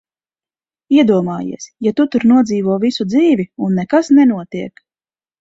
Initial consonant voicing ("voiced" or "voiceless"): voiced